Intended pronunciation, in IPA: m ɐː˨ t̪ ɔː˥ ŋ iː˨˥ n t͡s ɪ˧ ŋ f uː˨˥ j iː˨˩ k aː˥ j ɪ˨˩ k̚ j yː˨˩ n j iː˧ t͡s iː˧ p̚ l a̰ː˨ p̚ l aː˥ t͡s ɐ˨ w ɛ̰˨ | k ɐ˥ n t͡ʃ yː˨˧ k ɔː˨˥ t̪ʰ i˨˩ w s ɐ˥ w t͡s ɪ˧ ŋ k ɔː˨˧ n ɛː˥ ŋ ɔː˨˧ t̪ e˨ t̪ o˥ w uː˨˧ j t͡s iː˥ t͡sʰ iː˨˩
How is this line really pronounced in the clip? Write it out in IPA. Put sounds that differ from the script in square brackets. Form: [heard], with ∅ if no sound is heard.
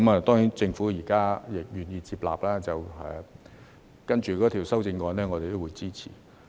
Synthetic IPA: m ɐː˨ t̪ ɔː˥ ŋ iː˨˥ n t͡s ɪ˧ ŋ f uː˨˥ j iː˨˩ k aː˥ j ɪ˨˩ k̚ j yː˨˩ n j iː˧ t͡s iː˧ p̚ l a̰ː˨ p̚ l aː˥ t͡s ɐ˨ w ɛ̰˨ | k ɐ˥ n t͡ʃ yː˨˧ k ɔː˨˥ t̪ʰ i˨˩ w s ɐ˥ w t͡s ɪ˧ ŋ k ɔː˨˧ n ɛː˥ ŋ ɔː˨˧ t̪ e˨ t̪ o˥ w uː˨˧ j t͡s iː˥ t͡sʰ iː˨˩